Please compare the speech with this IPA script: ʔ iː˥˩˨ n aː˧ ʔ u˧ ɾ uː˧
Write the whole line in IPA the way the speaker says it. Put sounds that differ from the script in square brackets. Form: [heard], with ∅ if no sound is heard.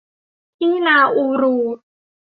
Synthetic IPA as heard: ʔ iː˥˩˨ n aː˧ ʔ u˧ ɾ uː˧